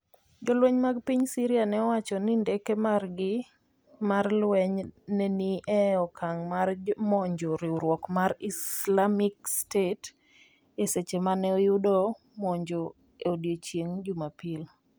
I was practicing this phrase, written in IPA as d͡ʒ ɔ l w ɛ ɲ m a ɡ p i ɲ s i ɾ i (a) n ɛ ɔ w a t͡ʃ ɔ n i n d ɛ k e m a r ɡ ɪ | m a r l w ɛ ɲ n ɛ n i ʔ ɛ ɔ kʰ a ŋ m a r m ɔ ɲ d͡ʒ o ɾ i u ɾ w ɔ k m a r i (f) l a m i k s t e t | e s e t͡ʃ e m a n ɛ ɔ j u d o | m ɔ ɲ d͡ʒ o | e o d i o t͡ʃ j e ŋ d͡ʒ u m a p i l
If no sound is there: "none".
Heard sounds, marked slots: a, s

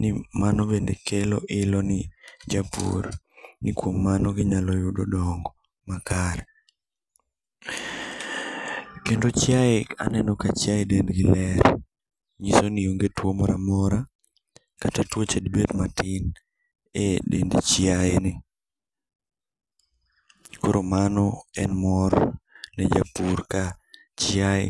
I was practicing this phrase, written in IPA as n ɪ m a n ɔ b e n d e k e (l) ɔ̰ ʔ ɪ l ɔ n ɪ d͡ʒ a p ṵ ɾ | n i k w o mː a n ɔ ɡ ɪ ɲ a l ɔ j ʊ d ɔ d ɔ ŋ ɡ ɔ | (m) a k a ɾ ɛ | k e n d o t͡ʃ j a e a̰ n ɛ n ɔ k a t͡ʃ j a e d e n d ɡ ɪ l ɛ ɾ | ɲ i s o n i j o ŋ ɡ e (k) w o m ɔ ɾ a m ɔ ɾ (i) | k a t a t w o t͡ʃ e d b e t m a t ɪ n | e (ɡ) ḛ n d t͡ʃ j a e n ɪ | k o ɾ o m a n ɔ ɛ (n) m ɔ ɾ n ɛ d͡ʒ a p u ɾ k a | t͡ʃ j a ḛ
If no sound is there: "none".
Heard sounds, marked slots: l, m, t, a, d, n

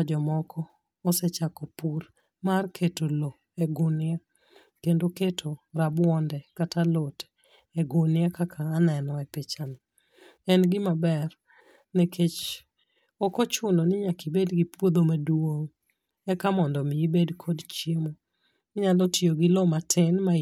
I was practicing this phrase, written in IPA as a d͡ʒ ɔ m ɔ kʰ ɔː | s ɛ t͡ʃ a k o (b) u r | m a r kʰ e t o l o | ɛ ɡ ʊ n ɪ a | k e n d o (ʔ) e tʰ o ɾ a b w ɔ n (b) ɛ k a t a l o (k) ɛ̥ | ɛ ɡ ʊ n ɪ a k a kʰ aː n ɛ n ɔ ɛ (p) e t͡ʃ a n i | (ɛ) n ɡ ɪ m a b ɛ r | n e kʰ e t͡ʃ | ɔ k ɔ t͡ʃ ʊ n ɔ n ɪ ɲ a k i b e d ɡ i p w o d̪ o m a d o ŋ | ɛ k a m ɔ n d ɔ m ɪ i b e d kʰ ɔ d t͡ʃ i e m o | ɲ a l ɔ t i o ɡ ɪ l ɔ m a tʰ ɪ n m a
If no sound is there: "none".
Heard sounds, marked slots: p, k, d, t, p, ɛ

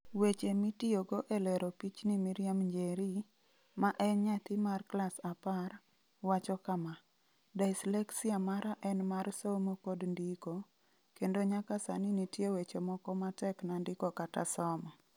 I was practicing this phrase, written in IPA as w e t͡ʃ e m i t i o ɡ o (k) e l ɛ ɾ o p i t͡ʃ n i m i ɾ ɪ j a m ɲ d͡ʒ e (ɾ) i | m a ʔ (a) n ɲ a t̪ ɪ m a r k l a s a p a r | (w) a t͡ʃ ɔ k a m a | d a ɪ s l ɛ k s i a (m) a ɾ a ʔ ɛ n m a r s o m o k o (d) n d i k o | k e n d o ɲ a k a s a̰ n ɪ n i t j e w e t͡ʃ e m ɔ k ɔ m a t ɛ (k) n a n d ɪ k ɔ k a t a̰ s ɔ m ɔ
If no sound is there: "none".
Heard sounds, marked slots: ʔ, ɾ, ɛ, w, m, d, k

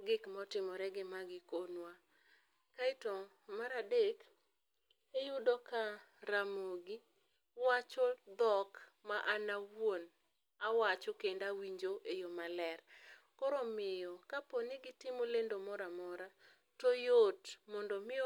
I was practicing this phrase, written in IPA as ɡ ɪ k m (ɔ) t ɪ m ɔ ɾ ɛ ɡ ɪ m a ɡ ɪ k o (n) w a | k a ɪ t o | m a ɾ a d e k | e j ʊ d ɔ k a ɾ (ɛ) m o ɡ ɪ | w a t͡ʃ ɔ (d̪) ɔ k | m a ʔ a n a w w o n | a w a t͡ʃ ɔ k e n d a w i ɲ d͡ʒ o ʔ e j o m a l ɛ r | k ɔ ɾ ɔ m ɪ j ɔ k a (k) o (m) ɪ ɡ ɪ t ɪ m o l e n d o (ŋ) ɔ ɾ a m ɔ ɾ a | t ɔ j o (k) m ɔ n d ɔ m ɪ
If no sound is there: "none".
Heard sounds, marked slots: ɔ, n, a, d̪, p, n, m, t

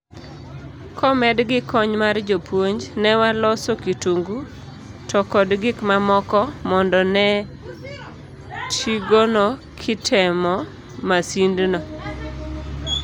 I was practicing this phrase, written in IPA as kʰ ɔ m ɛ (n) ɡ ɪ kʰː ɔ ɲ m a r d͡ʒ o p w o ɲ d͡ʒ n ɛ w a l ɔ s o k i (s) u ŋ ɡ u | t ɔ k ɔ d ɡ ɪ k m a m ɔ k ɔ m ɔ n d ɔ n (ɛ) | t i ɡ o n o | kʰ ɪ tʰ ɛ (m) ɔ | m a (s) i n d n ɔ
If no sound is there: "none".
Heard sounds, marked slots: d, t, ɛ, m, s

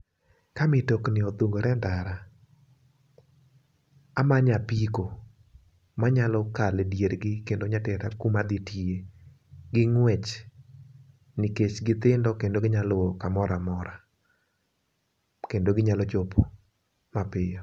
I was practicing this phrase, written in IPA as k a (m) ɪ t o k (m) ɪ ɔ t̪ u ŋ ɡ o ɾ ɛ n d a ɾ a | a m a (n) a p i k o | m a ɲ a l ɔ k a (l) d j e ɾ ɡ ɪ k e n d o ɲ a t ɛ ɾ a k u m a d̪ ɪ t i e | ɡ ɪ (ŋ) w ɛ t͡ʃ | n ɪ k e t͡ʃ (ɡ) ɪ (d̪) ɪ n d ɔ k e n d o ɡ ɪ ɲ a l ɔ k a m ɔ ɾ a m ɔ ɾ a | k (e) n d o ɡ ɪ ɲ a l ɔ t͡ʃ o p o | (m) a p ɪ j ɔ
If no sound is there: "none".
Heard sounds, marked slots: m, n, ɲ, l, ŋ, ɡ, t̪, e, m

